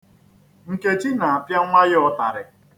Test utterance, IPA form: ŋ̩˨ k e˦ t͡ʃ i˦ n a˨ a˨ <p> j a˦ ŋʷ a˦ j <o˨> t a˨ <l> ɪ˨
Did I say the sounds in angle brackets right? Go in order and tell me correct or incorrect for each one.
correct, incorrect: ɔ˨, incorrect: ɾ

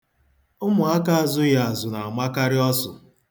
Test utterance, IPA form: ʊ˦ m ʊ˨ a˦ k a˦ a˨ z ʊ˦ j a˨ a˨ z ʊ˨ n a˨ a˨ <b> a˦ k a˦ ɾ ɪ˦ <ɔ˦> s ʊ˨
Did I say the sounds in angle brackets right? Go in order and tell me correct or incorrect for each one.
incorrect: m, correct

